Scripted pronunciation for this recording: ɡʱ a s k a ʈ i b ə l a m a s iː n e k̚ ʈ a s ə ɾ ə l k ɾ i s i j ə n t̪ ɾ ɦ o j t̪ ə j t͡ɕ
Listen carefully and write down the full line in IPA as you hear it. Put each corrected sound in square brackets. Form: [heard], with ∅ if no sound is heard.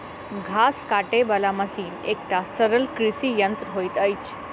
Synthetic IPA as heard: ɡʱ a s k a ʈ [e] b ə l a m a s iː n e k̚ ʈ a s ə ɾ ə l k ɾ i s i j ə n t̪ ɾ ɦ o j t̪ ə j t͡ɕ

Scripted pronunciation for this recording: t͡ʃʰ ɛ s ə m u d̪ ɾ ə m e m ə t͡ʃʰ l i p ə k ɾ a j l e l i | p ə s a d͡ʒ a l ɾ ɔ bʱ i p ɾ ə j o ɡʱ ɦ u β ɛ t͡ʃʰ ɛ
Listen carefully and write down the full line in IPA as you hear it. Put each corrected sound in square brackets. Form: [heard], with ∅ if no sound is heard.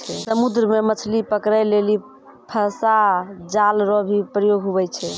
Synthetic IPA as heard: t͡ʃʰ ɛ s ə m u d̪ ɾ ə m e m ə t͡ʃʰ l i p ə k ɾ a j l e l i | [pʰ] ə s a d͡ʒ a l ɾ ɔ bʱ i p ɾ ə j o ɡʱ ɦ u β ɛ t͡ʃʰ ɛ

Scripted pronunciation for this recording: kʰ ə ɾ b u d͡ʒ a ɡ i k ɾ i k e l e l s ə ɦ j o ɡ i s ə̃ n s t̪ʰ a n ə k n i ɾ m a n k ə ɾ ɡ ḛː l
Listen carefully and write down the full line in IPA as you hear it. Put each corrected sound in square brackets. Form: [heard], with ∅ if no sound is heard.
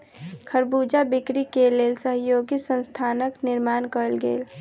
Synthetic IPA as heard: kʰ ə ɾ b u d͡ʒ a [b] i k ɾ i k e l e l s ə ɦ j o ɡ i s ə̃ n s t̪ʰ a n ə k n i ɾ m a n k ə [l] ɡ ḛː l

